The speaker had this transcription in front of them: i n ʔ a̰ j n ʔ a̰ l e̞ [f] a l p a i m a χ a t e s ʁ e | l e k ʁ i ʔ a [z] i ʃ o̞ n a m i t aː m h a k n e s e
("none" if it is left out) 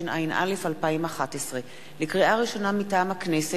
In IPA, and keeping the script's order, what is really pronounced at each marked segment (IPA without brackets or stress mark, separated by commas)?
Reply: f, ʁ